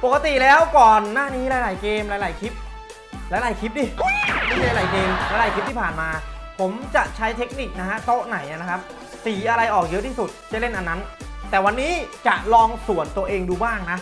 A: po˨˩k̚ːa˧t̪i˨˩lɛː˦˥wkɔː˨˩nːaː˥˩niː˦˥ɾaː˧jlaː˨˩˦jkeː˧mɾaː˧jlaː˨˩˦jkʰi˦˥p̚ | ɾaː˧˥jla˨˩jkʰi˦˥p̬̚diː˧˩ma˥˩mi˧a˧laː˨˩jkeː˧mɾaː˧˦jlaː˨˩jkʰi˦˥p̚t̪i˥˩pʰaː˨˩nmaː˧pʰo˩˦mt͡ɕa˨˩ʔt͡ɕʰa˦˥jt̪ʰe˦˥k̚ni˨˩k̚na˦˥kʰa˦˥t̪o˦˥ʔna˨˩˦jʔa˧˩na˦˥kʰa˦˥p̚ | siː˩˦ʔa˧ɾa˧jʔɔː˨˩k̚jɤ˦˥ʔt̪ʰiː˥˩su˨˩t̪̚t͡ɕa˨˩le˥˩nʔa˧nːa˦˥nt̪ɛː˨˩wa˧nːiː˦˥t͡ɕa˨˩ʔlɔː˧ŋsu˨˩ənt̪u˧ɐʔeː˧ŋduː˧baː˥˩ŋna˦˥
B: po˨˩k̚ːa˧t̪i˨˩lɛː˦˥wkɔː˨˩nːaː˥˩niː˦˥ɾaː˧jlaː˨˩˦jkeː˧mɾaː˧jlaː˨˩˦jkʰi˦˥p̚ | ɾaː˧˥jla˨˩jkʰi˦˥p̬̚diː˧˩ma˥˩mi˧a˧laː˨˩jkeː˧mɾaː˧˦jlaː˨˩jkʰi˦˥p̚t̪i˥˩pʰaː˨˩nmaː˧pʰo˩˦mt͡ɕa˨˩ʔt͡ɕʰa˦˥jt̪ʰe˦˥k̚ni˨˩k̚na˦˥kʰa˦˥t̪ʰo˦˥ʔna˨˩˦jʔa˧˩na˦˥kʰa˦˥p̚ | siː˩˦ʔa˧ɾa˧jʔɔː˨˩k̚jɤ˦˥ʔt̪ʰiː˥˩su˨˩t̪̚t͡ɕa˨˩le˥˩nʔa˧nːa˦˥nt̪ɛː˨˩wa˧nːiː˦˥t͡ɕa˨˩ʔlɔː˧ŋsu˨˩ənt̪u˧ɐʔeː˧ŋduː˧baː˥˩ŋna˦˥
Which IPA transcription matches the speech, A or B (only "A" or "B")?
A